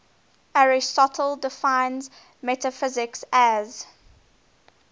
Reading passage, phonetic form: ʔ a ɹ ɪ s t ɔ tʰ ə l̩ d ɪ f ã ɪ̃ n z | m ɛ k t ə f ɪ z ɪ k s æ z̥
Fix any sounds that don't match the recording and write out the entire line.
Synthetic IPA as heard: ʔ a ɹ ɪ s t ɔ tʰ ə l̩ d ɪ f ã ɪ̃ n z | m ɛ t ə f ɪ z ɪ k s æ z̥

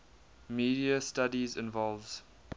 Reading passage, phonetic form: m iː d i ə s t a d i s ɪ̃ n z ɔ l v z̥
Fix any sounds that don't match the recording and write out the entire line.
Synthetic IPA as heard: m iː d i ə s t a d i z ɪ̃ n v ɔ l v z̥

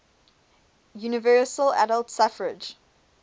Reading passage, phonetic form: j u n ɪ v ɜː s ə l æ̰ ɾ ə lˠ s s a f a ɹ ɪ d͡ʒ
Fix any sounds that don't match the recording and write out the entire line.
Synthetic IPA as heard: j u n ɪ v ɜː s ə l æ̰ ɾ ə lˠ t s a f ə ɹ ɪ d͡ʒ

